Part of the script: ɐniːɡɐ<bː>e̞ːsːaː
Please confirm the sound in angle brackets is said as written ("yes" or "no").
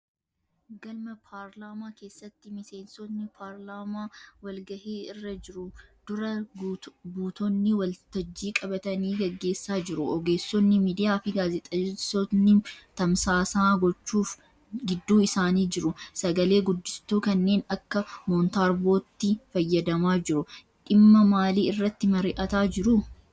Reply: no